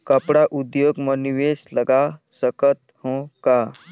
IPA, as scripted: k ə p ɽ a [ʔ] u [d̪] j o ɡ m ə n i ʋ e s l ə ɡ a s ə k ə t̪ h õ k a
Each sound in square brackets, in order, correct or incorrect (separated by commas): correct, correct